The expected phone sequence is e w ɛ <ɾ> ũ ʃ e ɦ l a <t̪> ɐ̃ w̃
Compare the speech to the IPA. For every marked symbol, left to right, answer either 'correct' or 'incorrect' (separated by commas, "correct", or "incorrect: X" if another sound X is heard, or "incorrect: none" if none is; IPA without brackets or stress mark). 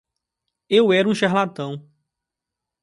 correct, correct